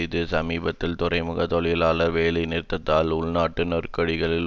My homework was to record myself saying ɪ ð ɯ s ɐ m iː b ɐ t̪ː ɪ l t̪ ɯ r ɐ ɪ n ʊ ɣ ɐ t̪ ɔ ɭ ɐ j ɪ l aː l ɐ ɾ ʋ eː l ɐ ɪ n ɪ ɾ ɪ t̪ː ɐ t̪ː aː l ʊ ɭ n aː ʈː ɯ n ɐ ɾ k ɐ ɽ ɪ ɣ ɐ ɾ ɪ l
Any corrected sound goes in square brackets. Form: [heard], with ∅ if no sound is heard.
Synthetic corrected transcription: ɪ ð ɯ s ɐ m iː b ɐ t̪ː ɪ l t̪ [ʊ] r ɐ ɪ [m] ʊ ɣ ɐ t̪ ɔ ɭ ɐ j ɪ l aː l ɐ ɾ ʋ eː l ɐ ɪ n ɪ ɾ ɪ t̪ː ɐ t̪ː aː l ʊ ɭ n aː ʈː ɯ n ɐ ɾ k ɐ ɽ ɪ ɣ ɐ [ɭ] ɪ l